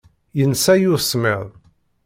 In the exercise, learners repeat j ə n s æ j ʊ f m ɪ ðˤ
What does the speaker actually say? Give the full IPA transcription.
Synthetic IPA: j ə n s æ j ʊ s m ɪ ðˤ